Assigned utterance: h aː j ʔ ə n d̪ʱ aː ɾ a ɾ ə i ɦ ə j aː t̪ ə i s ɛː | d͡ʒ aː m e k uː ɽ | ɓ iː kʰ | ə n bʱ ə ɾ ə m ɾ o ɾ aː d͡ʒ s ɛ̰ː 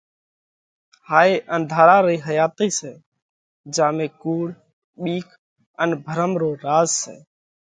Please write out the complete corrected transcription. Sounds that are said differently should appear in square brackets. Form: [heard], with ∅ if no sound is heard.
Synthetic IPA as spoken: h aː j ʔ ə n d̪ʱ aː ɾ a ɾ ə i ɦ ə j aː t̪ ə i s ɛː | d͡ʒ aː m e k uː ɽ | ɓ iː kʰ | ə n bʱ ə ɾ ə m ɾ o ɾ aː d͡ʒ s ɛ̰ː